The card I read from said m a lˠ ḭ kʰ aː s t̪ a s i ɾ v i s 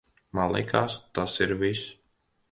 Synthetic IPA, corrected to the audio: m a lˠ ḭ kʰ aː s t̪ a s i ɾ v i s